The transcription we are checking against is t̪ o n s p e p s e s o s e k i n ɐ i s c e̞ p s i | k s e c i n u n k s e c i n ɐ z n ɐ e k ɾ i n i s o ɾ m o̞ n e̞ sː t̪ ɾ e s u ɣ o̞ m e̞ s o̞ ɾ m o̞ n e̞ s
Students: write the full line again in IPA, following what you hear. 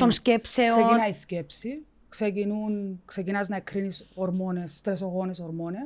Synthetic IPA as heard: t̪ o n s c e p s e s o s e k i n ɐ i s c e̞ p s i | k s e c i n u n k s e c i n ɐ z n ɐ e k ɾ i n i s o ɾ m o̞ n e̞ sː t̪ ɾ e s o ɣ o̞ n e̞ s o̞ ɾ m o̞ n e̞ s